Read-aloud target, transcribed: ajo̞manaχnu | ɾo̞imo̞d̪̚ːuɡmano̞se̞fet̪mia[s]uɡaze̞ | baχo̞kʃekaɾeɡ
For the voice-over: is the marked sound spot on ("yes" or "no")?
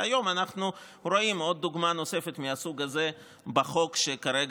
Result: yes